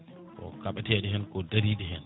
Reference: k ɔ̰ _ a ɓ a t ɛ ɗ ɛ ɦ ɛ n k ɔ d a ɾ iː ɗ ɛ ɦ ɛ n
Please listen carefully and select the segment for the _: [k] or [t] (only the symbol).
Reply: k